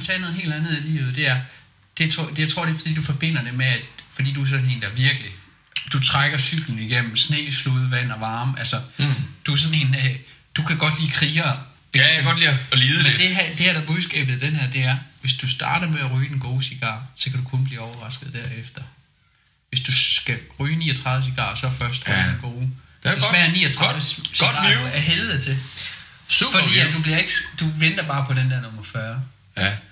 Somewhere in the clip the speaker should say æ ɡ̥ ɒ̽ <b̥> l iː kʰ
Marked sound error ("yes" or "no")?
yes